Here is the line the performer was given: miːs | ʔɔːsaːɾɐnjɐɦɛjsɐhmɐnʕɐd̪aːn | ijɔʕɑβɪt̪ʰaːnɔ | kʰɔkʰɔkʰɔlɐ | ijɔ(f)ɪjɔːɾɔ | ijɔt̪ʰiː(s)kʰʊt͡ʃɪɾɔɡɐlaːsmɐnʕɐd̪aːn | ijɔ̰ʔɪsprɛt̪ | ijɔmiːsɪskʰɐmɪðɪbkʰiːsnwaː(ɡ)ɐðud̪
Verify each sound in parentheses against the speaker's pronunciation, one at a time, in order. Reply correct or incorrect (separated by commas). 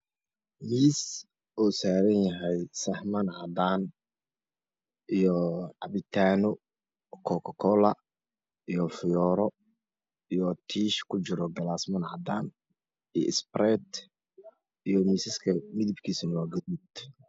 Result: correct, incorrect, correct